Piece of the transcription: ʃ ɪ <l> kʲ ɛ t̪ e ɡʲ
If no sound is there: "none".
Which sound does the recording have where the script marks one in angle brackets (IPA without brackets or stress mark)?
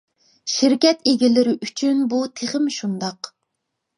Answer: ɾ